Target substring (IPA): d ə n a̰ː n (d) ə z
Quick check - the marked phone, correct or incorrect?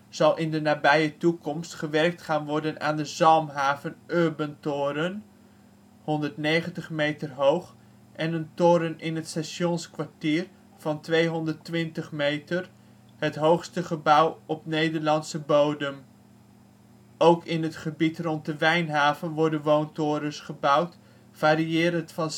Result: correct